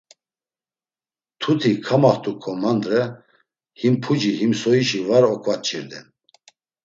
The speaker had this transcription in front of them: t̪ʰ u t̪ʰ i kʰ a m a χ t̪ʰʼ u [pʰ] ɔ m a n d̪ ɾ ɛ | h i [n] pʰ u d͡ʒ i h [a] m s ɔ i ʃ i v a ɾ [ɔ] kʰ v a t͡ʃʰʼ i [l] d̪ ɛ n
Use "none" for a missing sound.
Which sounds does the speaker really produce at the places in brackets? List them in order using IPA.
kʰ, m, i, ɔ, ɾ

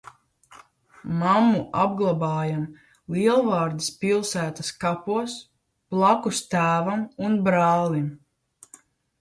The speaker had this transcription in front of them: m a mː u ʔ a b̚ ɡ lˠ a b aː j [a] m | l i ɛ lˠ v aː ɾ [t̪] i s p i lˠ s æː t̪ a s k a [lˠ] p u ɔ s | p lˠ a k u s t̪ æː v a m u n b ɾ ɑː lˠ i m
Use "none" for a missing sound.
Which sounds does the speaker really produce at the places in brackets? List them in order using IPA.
a, d̪, none

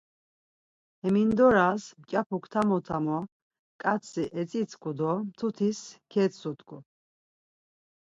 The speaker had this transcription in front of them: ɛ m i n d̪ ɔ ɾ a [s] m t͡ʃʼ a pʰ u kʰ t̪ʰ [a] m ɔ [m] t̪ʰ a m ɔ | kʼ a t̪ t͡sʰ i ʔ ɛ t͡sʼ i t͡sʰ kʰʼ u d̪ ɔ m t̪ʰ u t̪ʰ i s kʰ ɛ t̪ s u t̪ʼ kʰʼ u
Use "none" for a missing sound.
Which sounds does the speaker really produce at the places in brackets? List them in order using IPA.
s, a, none

